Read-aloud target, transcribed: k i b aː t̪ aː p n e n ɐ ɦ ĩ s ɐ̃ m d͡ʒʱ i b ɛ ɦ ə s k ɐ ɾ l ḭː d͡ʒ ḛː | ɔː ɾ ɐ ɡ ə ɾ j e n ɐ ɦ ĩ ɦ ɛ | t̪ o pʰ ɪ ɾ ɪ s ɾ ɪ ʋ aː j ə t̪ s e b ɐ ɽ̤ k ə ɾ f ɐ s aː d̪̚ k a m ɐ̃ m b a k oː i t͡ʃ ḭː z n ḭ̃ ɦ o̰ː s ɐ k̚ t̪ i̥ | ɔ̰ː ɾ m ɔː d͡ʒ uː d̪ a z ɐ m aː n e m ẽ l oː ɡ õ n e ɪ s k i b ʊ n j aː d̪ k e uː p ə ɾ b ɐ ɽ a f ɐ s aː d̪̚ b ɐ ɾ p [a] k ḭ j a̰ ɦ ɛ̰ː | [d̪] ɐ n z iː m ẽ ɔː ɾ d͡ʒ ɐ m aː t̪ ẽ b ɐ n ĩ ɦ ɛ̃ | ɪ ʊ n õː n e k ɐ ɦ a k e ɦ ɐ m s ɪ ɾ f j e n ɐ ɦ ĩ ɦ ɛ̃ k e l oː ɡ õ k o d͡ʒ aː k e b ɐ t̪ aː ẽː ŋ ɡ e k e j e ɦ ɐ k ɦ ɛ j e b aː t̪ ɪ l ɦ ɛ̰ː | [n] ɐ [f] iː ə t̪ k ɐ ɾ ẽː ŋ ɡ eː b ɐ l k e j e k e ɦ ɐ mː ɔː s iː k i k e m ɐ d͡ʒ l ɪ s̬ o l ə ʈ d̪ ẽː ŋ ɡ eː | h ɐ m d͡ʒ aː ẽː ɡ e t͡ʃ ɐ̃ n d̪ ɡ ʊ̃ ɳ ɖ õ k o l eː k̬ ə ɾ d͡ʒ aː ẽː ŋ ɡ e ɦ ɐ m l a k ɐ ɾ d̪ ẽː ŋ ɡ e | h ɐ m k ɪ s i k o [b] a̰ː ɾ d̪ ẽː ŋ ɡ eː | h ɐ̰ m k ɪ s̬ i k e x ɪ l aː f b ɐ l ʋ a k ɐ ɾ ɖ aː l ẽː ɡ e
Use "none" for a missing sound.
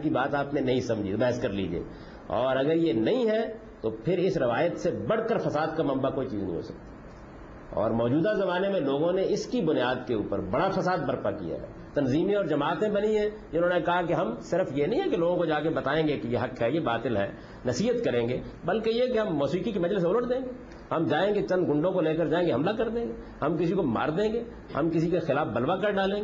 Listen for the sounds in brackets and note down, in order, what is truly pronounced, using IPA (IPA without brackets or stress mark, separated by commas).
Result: a, t̪, n, s, m